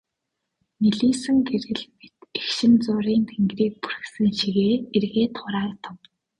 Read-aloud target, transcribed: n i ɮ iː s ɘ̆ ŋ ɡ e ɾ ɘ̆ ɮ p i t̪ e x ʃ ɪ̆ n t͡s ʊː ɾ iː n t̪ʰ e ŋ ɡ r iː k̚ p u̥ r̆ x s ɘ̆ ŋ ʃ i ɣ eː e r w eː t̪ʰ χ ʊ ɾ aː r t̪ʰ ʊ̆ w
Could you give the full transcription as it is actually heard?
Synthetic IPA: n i ɮ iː s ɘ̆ ŋ ɡ e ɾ ɘ̆ ɮ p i t̪ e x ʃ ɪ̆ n t͡s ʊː ɾ iː n t̪ʰ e ŋ ɡ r iː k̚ p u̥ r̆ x s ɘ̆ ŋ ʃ i ɣ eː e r ɣ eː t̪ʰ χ ʊ ɾ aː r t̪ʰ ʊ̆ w